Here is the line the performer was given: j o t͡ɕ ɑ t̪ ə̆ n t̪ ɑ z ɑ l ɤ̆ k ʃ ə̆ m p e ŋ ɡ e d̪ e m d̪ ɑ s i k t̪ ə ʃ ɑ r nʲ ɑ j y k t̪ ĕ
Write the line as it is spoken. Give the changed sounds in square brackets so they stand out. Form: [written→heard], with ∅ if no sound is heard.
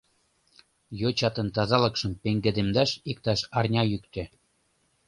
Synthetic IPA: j o t͡ɕ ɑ t̪ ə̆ n t̪ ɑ z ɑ l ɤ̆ k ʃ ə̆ m p e ŋ ɡ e d̪ e m d̪ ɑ [s→ʃ] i k t̪ [ə→ɑ] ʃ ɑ r nʲ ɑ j y k t̪ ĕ